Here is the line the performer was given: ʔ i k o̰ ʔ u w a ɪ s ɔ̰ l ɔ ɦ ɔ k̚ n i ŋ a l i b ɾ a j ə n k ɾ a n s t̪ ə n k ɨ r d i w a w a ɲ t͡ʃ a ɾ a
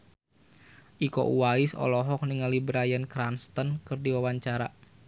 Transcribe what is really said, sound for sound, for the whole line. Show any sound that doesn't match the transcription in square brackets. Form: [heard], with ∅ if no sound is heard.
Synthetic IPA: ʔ i k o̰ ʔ u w a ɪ s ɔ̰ l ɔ ɦ ɔ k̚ n i ŋ a l i b ɾ a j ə n k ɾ a n s t̪ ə n k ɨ r d i w a w a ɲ t͡ʃ a ɾ a

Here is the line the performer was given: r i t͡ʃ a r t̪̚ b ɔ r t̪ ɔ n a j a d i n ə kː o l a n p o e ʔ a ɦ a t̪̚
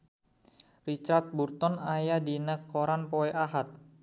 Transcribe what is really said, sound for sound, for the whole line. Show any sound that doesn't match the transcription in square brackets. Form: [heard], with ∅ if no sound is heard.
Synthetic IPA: r i t͡ʃ a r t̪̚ b [u] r t̪ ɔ n a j a d i n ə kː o [ɾ] a n p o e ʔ a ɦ a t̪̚

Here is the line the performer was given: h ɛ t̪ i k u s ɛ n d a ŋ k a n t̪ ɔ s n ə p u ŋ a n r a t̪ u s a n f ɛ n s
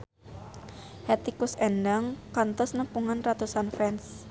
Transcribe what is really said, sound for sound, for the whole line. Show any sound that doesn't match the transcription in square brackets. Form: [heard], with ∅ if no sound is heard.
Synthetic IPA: h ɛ t̪ i k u s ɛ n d a ŋ k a n t̪ ɔ s n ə p u ŋ a n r a t̪ u s a n f ɛ n s

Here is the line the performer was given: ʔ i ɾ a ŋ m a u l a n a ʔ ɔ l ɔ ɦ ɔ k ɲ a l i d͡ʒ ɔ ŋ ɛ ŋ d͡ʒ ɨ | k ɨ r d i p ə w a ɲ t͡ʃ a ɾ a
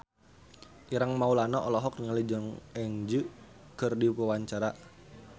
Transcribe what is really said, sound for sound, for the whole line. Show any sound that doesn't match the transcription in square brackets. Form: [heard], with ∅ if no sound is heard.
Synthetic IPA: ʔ i ɾ a ŋ m a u l a n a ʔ ɔ l ɔ ɦ ɔ k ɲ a l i d͡ʒ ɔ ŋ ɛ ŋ d͡ʒ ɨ | k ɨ r d i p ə w a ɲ t͡ʃ a ɾ a

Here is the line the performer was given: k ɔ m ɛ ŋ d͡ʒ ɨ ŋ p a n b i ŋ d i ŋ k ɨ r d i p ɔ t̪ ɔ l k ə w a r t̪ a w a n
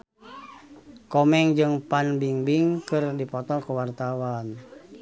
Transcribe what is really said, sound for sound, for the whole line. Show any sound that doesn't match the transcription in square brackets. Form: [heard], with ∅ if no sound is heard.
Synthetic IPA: k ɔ m ɛ ŋ d͡ʒ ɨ ŋ p a n b i ŋ [b] i ŋ k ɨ r d i p ɔ t̪ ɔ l k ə w a r t̪ a w a n

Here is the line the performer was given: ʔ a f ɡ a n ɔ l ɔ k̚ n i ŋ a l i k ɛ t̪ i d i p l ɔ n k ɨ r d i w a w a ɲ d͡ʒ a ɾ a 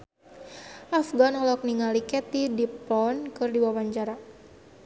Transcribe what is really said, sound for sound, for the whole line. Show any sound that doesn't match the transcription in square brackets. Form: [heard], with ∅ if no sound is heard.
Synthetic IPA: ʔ a f ɡ a n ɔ l ɔ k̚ n i ŋ a l i k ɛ t̪ i d i p l ɔ n k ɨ r d i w a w a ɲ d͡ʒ a ɾ a

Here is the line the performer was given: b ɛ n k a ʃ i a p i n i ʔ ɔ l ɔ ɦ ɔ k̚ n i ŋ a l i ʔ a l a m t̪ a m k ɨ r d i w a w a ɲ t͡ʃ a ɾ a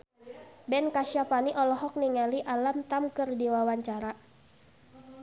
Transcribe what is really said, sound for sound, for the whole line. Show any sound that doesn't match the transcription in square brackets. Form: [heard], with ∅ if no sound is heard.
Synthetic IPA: b ɛ n k a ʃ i a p [a] n i ʔ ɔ l ɔ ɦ ɔ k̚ n i ŋ a l i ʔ a l a m t̪ a m k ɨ r d i w a w a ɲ t͡ʃ a ɾ a

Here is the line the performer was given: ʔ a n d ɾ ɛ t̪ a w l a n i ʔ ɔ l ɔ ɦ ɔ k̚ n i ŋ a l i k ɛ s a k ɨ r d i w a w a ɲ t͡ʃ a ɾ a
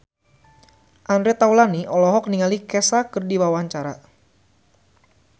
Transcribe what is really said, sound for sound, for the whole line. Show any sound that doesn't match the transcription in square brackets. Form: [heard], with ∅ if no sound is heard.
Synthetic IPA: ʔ a n d ɾ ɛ t̪ a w l a n i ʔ ɔ l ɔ ɦ ɔ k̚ n i ŋ a l i k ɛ s a k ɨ r d i w a w a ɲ t͡ʃ a ɾ a

